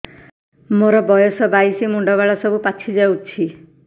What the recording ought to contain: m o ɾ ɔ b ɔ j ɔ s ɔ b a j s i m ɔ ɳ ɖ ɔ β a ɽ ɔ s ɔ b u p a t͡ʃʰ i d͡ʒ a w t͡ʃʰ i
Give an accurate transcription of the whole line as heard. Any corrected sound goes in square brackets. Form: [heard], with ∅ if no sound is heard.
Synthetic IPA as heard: m o ɾ ɔ b ɔ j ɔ s ɔ b a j s i m [u] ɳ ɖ ɔ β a [ɭ] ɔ s ɔ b u p a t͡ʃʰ i d͡ʒ a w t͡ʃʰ i

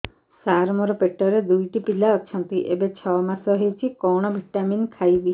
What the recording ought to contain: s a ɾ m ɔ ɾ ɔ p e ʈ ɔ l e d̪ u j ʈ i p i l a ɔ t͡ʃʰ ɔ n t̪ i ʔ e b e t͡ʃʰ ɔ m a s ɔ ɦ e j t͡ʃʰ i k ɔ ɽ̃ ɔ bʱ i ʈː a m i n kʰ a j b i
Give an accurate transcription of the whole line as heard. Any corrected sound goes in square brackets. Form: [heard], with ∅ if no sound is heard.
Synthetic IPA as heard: s a ɾ m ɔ ɾ ɔ p e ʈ ɔ [ɾ] e d̪ u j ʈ i p i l a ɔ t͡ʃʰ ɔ n t̪ i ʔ e b e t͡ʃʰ ɔ m a s ɔ ɦ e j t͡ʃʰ i k ɔ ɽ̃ ɔ bʱ i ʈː a m i n kʰ a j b i

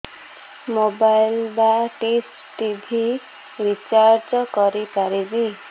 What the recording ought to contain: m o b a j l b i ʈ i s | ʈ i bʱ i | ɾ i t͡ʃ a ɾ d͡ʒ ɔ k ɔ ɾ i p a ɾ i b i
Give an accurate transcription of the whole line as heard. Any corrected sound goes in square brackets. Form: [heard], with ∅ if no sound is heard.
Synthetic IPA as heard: m o b a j l b [a] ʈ i s | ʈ i bʱ i | ɾ i t͡ʃ a ɾ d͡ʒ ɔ k ɔ ɾ i p a ɾ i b i

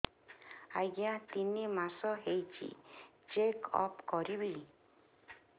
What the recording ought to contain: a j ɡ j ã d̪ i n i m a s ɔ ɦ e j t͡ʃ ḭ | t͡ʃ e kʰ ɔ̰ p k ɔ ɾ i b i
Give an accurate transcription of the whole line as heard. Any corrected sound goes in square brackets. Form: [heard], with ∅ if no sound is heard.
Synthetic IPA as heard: a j ɡ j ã [t̪] i n i m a s ɔ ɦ e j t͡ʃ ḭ | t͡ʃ e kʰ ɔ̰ p k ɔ ɾ i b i

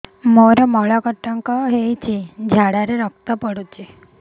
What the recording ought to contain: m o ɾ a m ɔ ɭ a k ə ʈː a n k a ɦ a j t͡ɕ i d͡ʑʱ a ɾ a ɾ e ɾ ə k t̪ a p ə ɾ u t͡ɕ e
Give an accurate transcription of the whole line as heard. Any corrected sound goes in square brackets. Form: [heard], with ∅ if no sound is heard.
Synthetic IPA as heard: m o ɾ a m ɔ ɭ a k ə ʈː a [ŋ] k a ɦ [e] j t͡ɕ i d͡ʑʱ a [ɽ] a ɾ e ɾ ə k t̪ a p ə [ɽ] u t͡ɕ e

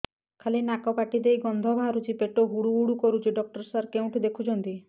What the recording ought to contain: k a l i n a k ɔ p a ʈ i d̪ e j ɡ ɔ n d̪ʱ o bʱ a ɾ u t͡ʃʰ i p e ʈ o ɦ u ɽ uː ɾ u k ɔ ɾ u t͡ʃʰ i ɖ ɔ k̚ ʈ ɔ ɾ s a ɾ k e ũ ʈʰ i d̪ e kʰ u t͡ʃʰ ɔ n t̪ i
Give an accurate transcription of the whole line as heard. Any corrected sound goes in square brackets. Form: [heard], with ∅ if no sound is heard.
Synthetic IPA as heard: [kʰ] a l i n a k ɔ p a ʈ i d̪ e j ɡ ɔ n d̪ʱ [ɔ] bʱ a ɾ u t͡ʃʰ i p e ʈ o ɦ u ɽ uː [ɽ] u k ɔ ɾ u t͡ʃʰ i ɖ ɔ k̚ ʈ ɔ ɾ s a ɾ k e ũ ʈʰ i d̪ e kʰ u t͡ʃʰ ɔ n t̪ i

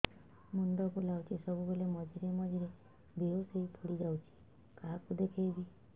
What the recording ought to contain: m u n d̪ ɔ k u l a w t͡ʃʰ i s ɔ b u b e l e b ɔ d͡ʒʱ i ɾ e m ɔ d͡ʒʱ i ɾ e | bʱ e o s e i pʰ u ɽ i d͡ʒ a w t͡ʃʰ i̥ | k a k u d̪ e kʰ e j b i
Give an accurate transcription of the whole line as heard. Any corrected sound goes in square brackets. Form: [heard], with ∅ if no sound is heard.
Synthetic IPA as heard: m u n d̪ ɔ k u l a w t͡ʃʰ i s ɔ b u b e l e [m] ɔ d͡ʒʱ i ɾ e m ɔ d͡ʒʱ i ɾ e | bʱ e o s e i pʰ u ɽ i d͡ʒ a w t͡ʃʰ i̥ | k a k u d̪ e kʰ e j b i

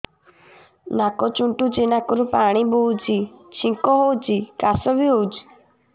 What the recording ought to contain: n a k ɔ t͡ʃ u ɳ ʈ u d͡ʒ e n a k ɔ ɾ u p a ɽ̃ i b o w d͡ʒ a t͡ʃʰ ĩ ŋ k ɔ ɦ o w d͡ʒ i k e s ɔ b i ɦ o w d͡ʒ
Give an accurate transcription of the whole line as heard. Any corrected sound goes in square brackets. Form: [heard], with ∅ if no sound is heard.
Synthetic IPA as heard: n a k ɔ t͡ʃ u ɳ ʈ u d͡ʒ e n a k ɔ ɾ u p a ɽ̃ i b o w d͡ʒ [i] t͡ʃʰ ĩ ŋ k ɔ ɦ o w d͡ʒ i k [a] s ɔ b i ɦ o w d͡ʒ

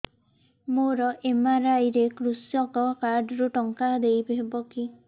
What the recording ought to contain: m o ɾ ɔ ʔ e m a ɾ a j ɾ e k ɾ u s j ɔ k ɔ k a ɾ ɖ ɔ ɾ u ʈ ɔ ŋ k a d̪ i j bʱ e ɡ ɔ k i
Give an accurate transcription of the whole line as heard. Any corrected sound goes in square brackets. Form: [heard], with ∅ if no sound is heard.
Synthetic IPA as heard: m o ɾ ɔ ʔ e m a ɾ a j ɾ e k ɾ u s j ɔ k ɔ k a ɾ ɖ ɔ ɾ u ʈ ɔ ŋ k a d̪ [e] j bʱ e [b] ɔ k i

